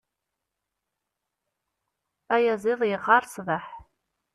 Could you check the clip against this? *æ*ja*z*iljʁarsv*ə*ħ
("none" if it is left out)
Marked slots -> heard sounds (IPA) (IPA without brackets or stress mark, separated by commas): a, z, a